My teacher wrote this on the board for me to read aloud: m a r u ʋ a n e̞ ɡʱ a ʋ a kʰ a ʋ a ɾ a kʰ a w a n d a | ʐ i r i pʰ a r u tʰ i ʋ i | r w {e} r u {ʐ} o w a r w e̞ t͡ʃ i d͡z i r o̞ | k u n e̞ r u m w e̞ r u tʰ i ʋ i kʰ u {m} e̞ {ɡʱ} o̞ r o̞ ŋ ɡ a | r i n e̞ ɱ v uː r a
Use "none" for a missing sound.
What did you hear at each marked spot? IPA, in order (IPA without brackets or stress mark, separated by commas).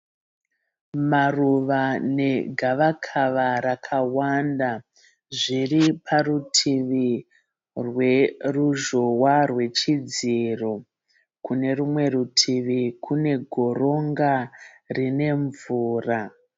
e, ʒ, n, ɡʱ